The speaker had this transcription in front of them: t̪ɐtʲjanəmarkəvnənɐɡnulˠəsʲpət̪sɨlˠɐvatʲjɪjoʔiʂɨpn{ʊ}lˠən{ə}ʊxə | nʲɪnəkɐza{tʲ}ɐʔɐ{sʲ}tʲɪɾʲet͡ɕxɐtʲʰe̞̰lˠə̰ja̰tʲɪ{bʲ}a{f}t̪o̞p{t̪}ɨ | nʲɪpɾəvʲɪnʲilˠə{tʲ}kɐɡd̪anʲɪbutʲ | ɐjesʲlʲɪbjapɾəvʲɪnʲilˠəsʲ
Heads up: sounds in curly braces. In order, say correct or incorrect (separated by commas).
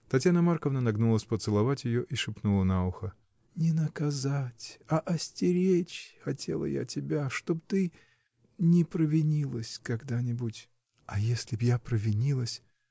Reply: incorrect, incorrect, correct, correct, correct, incorrect, correct, incorrect